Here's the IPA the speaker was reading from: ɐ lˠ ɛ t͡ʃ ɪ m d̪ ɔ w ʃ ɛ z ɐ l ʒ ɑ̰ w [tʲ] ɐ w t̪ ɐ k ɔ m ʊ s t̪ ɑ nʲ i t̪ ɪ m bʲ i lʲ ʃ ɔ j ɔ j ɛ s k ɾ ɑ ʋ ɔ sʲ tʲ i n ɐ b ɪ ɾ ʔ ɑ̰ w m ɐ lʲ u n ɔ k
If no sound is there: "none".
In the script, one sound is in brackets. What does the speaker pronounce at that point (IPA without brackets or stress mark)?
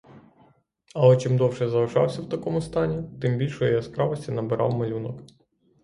sʲ